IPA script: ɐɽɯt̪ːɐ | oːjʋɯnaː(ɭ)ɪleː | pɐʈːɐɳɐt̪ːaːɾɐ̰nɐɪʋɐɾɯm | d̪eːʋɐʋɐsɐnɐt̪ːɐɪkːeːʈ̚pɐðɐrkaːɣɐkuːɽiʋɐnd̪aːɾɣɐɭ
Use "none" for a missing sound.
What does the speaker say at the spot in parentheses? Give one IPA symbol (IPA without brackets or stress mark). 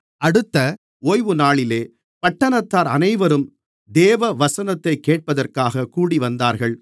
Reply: ɭ